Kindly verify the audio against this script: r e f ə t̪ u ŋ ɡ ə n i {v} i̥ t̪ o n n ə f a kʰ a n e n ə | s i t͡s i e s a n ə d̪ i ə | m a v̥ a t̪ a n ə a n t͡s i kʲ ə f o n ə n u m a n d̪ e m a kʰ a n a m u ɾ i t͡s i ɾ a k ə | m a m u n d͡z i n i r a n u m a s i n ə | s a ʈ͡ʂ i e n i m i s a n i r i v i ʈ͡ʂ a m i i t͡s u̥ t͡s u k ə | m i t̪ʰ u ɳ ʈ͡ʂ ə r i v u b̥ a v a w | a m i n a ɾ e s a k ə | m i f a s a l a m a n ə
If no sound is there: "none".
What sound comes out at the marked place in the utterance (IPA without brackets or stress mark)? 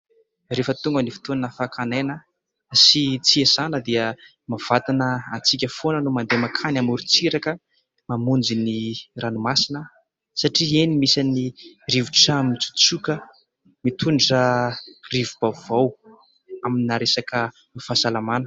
f